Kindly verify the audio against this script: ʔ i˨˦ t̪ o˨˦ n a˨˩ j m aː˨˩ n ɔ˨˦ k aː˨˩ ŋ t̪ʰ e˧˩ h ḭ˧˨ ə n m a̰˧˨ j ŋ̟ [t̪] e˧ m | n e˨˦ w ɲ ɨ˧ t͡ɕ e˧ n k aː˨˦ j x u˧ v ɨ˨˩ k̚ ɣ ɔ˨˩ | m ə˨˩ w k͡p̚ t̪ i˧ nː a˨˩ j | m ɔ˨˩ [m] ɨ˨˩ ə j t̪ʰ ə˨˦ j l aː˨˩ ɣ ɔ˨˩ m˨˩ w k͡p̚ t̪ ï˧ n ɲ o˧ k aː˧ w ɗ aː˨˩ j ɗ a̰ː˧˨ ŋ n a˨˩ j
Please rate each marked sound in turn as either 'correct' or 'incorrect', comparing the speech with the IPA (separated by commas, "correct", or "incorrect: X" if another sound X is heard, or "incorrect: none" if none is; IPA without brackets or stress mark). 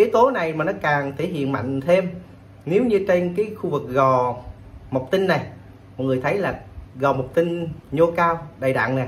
incorrect: t̪ʰ, incorrect: ŋ